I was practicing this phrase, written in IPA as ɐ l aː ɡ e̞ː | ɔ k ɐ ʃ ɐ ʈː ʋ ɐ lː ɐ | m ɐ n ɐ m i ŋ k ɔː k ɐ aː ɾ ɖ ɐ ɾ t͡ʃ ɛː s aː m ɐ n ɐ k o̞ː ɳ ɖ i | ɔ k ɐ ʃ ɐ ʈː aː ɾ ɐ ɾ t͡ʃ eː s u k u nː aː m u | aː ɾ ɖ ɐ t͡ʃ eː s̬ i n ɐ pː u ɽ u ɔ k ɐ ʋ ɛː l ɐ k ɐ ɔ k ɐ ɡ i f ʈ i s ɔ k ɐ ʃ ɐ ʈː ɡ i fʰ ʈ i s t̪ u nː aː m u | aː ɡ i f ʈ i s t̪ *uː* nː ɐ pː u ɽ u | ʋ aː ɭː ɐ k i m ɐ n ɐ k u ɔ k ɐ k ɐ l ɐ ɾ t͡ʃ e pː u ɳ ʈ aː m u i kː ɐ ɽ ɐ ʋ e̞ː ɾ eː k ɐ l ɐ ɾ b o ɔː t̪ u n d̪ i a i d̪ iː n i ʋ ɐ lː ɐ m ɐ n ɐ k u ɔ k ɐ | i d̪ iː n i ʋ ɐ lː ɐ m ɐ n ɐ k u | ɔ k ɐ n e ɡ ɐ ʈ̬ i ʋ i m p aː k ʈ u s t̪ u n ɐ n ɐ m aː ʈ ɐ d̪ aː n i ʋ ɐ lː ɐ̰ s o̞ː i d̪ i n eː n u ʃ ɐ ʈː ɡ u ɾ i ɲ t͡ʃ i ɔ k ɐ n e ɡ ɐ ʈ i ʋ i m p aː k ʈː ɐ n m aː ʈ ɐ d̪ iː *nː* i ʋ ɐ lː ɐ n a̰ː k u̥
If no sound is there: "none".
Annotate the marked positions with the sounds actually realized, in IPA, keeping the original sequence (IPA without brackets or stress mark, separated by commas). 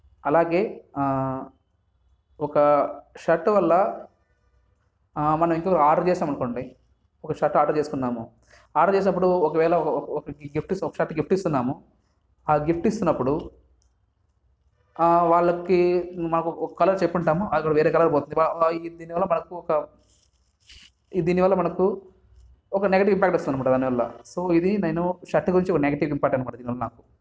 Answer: u, n